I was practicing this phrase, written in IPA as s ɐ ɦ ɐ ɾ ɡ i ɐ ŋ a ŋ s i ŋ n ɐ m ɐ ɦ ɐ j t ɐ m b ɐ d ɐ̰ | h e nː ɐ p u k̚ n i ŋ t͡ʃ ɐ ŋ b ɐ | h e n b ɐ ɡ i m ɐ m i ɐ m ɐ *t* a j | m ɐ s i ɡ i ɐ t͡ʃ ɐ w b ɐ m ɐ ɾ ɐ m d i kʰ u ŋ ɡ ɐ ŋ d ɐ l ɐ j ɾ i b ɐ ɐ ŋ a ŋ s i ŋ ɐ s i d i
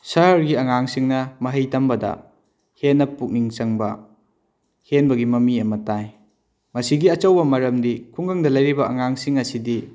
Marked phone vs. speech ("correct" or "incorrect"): correct